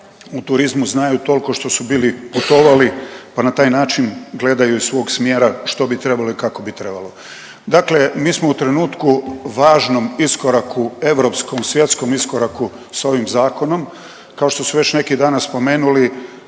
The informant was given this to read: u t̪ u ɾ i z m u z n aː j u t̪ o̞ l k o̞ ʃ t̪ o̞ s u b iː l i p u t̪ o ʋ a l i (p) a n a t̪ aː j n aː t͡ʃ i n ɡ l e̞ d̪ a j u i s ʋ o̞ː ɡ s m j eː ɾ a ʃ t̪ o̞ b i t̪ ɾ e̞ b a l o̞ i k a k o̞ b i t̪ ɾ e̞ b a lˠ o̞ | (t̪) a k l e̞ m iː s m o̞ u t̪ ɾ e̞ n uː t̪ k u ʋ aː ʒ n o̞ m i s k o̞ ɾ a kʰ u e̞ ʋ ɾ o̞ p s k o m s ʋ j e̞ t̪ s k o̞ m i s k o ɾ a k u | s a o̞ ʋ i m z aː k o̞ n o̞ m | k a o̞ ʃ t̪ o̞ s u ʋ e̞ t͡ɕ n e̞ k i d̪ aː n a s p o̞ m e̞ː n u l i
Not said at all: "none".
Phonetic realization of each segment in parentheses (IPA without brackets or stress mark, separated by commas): p, d̪